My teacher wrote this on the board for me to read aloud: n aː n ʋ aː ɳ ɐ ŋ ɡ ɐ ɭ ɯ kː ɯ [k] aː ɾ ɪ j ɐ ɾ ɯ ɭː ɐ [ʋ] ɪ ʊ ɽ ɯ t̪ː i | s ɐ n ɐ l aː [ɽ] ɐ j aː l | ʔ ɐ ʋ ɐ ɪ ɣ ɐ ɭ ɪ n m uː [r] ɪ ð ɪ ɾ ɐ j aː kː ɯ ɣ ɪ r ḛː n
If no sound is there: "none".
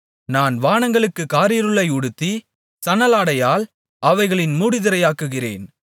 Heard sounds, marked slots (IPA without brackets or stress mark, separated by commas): k, none, ɽ, ɽ